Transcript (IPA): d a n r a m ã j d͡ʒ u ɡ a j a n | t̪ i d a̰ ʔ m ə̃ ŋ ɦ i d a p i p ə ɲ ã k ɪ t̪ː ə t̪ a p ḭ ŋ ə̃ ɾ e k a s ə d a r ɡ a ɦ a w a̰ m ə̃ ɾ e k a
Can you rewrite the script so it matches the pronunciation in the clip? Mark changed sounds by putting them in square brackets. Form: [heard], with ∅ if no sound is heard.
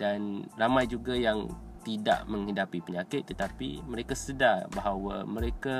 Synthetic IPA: d a n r a m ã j d͡ʒ u ɡ a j a [ŋ] | t̪ i d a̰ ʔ m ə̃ ŋ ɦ i d a p i p ə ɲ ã k ɪ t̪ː ə t̪ a p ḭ [m] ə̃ ɾ e k a s ə d a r [b] a ɦ a w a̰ m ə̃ ɾ e k a